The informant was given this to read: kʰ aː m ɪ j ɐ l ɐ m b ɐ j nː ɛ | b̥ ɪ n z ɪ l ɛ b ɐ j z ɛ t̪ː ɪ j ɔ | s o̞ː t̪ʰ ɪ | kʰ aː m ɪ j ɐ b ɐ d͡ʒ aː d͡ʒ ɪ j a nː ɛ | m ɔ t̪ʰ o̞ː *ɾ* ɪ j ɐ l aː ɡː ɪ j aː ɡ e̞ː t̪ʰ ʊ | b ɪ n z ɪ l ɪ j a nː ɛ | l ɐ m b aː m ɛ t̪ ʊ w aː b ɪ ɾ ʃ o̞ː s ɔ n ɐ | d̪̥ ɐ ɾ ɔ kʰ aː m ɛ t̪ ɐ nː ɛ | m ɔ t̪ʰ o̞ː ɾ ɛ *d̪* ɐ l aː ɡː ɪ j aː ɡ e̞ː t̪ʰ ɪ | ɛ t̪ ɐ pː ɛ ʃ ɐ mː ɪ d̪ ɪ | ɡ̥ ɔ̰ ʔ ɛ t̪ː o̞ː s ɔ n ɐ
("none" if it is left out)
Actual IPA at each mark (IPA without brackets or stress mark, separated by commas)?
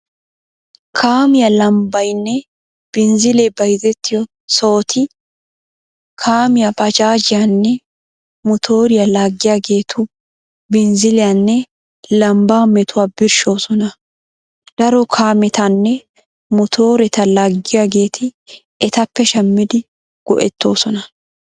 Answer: ɾ, t̪